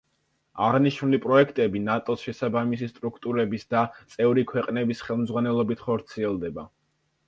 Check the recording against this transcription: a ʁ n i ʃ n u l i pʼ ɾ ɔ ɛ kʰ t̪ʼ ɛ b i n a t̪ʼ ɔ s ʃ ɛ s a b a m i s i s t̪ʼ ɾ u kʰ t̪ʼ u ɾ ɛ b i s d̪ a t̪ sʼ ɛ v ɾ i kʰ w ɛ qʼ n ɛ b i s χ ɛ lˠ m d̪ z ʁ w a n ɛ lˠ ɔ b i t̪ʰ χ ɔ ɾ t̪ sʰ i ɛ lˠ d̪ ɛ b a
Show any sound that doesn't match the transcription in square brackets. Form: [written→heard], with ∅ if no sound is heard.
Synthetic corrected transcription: a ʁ n i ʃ n u l i pʼ ɾ ɔ ɛ kʰ t̪ʼ ɛ b i n a t̪ʼ ɔ s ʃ ɛ s a b a m i s i s t̪ʼ ɾ u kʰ t̪ʼ u ɾ ɛ b i s d̪ a t̪ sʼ ɛ v ɾ i kʰ w ɛ qʼ n ɛ b i s χ ɛ lˠ m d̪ z ʁ w a n ɛ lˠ ɔ b i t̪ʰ χ ɔ ɾ t̪ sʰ i ɛ lˠ d̪ ɛ b a